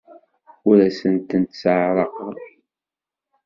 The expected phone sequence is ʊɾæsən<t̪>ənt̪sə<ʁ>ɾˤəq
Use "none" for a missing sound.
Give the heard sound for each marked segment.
t̪, ʕ

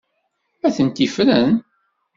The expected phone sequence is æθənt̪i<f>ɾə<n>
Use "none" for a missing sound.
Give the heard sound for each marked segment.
f, n

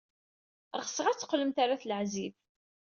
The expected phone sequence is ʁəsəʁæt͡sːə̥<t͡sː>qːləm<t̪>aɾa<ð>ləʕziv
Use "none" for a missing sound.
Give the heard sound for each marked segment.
none, t̪, θ

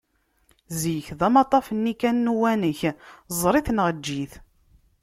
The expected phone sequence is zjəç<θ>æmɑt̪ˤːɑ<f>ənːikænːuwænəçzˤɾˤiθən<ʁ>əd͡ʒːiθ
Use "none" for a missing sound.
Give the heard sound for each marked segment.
ð, f, ʁ

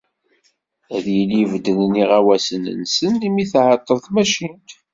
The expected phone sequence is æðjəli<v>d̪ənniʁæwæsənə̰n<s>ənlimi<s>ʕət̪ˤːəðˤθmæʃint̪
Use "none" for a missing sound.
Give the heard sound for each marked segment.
v, s, θ

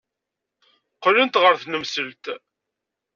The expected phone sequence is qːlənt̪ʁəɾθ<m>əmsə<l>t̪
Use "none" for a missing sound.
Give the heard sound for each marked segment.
n, l

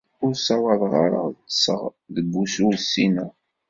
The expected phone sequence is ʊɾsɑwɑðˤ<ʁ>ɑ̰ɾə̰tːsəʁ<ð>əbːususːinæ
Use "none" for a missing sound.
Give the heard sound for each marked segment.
ʁ, ð

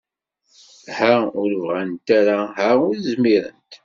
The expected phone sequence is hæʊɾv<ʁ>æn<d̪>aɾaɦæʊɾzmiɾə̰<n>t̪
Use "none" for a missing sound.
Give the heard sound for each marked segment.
ʁ, t̪, n

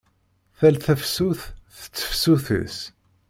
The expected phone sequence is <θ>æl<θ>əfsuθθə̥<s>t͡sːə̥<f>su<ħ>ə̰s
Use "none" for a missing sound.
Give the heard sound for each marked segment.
θ, θ, none, f, θ

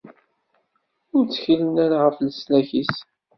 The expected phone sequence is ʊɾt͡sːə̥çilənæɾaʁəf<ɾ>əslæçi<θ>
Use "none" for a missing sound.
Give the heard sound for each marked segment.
l, s

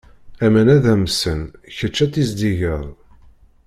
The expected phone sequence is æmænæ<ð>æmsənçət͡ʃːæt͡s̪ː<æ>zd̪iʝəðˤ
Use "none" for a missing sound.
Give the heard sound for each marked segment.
ð, i

